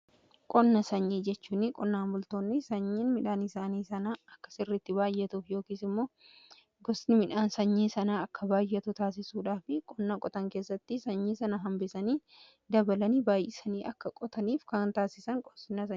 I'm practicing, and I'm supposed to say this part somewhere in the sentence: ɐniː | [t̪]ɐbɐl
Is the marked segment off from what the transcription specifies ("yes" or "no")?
yes